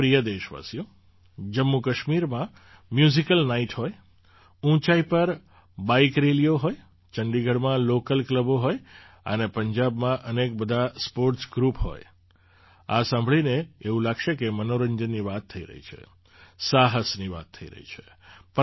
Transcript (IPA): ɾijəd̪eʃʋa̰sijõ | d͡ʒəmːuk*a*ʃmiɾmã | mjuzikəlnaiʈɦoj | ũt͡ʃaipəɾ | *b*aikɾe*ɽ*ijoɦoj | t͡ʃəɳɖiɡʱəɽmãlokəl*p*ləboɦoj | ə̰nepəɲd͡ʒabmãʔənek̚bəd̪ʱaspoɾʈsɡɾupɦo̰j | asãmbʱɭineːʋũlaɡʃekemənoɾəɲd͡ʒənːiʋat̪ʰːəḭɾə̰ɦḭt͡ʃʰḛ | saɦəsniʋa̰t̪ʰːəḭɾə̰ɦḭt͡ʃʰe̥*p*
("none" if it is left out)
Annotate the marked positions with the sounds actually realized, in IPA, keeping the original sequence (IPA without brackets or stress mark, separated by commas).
ə, b, l, k, p